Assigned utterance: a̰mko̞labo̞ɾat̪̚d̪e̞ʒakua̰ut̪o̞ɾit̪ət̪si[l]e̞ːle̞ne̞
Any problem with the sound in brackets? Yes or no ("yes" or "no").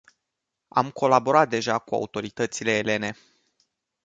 no